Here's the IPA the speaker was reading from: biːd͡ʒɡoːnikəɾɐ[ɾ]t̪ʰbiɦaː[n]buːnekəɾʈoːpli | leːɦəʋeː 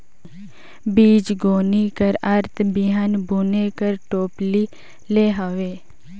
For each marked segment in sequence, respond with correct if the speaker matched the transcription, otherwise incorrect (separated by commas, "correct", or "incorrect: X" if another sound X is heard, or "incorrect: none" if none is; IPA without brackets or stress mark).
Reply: correct, correct